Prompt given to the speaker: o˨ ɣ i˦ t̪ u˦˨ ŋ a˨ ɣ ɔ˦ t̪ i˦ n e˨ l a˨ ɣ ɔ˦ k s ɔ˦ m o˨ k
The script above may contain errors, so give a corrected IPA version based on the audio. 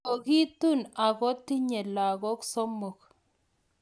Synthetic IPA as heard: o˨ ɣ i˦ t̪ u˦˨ n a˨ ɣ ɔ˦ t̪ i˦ ɲ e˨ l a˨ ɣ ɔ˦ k s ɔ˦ m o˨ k